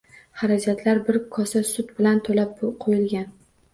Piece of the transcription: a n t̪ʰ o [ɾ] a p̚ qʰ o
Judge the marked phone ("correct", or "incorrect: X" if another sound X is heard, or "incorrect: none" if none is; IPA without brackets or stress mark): incorrect: l